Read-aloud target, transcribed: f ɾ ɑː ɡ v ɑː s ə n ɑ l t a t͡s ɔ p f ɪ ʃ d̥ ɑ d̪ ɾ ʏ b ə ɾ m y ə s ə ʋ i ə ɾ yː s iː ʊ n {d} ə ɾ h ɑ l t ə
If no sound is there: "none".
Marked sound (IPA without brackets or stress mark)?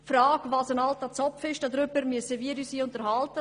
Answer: t